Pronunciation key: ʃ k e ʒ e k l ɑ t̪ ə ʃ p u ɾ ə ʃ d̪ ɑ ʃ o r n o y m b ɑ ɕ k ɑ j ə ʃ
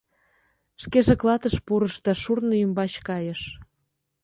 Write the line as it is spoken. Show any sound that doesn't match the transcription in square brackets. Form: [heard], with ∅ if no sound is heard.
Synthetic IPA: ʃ k e ʒ e k l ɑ t̪ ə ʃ p u ɾ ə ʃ d̪ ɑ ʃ [u] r n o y m b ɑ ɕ k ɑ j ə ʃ